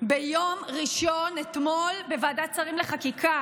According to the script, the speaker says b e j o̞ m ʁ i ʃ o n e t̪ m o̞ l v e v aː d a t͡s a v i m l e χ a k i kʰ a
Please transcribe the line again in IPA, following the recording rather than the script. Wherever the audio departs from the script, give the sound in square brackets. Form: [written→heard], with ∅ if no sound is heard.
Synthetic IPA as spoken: b e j o̞ m ʁ i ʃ o n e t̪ m o̞ l [v→b] e v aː d a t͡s a [v→ʁ] i m l e χ a k i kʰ a